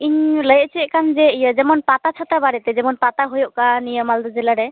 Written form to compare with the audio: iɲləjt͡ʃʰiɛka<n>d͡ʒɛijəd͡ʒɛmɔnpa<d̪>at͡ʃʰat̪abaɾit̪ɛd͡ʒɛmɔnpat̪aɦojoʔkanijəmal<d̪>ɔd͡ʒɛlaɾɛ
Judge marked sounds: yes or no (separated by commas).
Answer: yes, no, yes